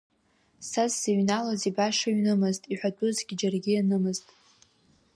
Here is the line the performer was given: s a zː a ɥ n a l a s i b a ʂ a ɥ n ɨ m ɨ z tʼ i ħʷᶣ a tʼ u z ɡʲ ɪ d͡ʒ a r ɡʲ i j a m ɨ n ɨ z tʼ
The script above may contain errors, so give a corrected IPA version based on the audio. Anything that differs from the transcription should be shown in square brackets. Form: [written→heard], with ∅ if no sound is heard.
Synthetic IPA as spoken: s a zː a ɥ n a l a [s→z] i b a ʂ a ɥ n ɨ m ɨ z tʼ i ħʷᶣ a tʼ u z ɡʲ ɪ d͡ʒ a r ɡʲ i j a [m→n] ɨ [n→m] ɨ z tʼ